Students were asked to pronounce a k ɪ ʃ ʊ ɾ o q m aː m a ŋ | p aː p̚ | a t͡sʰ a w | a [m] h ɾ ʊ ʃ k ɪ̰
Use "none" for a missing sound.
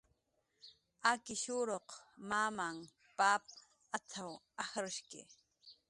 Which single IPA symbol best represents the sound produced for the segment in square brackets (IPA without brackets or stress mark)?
none